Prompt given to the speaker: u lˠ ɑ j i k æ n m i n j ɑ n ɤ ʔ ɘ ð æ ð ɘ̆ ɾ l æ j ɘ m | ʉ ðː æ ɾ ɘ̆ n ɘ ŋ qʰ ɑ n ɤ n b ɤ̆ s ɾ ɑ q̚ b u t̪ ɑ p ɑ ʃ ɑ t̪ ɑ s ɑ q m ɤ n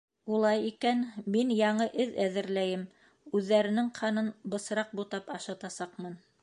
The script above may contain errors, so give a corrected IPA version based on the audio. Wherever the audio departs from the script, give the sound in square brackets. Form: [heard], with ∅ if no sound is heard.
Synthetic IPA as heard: u lˠ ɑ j i k æ n m i n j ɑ [ɴ] ɤ ʔ ɘ ð æ ð ɘ̆ ɾ l æ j ɘ m | ʉ ðː æ ɾ ɘ̆ n ɘ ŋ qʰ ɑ n ɤ n b ɤ̆ s ɾ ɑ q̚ b u t̪ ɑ p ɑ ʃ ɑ t̪ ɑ s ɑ q m ɤ n